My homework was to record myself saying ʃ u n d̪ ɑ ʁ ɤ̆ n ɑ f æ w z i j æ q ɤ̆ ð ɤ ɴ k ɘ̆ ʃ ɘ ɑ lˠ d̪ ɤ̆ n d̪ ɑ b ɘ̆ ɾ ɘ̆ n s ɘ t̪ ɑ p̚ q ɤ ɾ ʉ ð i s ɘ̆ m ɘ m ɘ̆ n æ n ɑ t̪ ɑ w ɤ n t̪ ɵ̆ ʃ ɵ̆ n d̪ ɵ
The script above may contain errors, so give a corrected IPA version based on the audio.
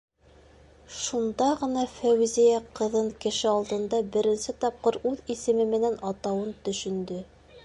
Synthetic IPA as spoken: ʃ u n d̪ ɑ ʁ ɤ̆ n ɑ f æ w z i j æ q ɤ̆ ð ɤ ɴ k ɘ̆ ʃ ɘ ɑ lˠ d̪ ɤ̆ n d̪ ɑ b ɘ̆ ɾ ɘ̆ n s ɘ t̪ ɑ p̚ q ɤ ɾ ʉ ð i s ɘ̆ m ɘ m ɘ̆ n æ n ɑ t̪ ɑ w ɤ n t̪ ɵ̆ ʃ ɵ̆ n d̪ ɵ